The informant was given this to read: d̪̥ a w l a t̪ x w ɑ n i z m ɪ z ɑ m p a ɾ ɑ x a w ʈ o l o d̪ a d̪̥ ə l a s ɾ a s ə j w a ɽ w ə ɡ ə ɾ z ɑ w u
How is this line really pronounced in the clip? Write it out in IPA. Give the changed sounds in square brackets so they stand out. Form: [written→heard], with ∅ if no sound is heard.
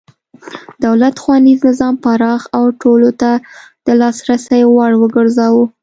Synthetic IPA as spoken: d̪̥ a w l a t̪ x w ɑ n i z [m→n] ɪ z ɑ m p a ɾ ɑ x a w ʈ o l o [d̪→t̪] a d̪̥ ə l [a→ɑ] s ɾ a s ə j w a ɽ w ə ɡ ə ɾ z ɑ w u

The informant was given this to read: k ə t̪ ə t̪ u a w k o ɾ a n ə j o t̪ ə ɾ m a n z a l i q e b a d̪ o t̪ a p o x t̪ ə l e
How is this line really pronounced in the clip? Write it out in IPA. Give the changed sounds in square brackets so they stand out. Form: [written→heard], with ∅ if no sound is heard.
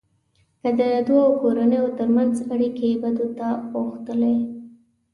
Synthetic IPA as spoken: k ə [t̪→d̪] ə [t̪→d̪] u a w k o ɾ a n ə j o t̪ ə ɾ m a n z a [l→ɽ] i [q→k] e b a d̪ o t̪ a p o x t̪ ə l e

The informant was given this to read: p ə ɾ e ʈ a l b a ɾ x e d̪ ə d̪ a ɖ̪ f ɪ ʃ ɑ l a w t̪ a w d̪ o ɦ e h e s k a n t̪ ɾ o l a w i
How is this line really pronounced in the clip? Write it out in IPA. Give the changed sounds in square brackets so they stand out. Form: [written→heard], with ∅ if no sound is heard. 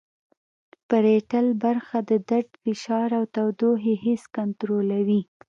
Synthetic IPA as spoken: p ə ɾ e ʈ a l b a ɾ x [e→a] d̪ ə d̪ a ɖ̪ f ɪ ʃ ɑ [l→ɾ] a w t̪ a w d̪ o ɦ e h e s k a n t̪ ɾ o l a w i

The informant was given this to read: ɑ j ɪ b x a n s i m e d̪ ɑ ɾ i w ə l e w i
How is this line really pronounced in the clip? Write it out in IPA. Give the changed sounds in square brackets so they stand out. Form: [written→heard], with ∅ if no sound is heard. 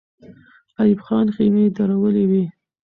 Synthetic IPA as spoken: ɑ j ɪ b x [a→ɑ] n [s→x] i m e d̪ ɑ ɾ [i→a] w ə l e w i

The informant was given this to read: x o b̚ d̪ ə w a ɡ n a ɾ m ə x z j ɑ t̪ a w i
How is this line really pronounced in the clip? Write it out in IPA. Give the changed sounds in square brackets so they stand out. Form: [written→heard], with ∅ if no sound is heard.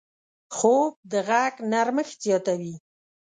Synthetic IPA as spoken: x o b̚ d̪ ə [w→ɣ] a ɡ n a ɾ m ə x z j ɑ t̪ a w i

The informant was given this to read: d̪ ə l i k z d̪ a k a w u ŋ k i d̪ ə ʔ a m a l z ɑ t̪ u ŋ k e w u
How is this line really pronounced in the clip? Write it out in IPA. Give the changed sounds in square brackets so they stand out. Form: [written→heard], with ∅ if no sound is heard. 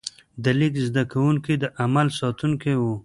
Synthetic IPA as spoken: d̪ ə l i k z d̪ a k a w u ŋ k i d̪ ə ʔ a m a l [z→s] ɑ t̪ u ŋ k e w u

